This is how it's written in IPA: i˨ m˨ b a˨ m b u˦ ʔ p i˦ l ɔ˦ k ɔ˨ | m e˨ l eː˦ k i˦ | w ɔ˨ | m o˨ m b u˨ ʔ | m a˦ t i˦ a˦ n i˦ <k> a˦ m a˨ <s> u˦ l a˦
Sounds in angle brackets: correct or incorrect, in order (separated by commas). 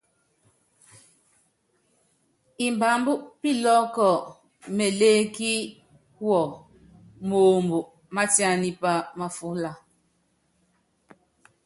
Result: incorrect, incorrect